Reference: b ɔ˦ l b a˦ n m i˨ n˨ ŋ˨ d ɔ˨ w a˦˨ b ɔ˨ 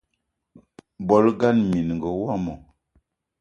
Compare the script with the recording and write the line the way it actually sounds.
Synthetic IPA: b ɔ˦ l ɡ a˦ n m i˨ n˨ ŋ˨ ɡ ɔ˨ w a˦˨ m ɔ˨

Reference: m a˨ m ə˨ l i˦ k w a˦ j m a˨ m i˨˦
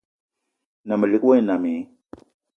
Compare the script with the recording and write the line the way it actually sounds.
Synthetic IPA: n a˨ m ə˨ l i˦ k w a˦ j n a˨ m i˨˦

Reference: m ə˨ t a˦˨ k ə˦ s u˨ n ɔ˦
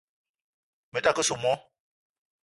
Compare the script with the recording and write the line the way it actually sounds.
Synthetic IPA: m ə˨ t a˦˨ k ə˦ s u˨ m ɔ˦

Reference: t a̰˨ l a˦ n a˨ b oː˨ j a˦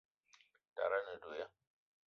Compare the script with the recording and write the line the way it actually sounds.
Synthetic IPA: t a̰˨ ɾ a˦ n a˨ d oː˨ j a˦

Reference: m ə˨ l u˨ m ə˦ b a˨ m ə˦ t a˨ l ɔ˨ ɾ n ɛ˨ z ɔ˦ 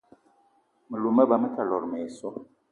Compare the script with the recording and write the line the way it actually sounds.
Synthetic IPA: m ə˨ l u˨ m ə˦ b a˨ m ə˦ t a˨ l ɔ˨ ɾ m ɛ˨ s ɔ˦

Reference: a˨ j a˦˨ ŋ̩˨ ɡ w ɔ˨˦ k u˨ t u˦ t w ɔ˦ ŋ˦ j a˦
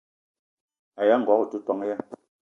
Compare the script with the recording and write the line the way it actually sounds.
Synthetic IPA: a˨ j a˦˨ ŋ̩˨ ɡ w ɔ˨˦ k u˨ t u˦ t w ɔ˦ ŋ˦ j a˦

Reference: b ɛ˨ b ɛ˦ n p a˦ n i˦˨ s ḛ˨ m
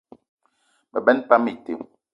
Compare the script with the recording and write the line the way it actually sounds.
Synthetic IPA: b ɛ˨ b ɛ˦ n p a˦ m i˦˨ t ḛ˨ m

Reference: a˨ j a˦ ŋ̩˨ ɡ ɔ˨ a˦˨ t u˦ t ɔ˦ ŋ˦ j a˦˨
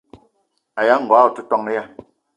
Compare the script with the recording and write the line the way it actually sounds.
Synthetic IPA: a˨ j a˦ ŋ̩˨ ɡ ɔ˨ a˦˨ t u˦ t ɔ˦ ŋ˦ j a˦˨

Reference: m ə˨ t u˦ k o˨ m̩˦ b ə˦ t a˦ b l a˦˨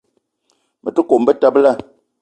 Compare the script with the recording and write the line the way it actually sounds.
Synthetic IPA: m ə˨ t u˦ k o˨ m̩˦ b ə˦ t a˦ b l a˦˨

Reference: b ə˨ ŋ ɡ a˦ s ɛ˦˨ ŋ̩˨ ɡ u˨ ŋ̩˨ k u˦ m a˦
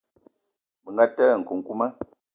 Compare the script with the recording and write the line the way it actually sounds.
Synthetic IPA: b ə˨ ŋ ɡ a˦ t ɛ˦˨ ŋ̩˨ k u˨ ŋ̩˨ k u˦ m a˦

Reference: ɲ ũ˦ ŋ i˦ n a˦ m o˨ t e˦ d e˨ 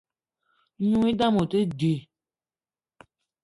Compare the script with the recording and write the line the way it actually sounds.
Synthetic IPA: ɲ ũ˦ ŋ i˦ d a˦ m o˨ t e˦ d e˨

